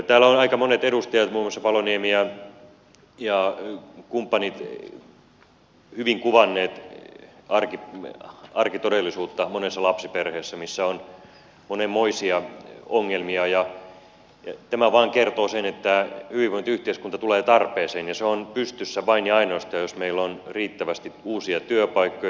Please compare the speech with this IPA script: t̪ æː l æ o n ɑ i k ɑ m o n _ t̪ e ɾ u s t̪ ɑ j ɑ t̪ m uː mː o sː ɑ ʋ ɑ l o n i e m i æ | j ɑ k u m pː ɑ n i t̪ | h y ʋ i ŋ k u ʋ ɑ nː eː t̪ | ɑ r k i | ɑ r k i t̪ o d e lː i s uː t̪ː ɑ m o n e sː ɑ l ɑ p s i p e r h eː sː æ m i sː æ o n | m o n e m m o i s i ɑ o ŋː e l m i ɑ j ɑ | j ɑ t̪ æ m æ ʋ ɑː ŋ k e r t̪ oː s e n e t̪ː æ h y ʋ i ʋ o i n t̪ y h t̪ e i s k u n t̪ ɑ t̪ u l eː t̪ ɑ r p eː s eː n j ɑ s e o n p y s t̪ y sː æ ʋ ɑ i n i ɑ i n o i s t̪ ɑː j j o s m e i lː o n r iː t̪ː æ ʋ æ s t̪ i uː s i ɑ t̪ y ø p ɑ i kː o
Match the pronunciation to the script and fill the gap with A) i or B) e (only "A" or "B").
B